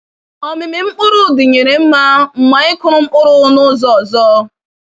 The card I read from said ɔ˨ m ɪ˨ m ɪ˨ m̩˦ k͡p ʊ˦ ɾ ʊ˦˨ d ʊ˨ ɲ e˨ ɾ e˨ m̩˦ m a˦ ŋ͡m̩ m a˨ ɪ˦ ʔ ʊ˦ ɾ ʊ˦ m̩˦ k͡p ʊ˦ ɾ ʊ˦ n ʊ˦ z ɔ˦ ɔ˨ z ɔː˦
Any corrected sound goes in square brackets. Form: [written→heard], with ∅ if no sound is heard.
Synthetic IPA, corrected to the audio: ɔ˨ m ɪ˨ m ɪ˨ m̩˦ k͡p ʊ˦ ɾ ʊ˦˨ d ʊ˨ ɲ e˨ ɾ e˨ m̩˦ m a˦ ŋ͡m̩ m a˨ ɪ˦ [ʔ→k] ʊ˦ ɾ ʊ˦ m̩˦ k͡p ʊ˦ ɾ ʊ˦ n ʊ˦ z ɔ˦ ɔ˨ z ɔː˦